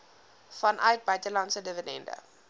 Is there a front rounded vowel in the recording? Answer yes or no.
yes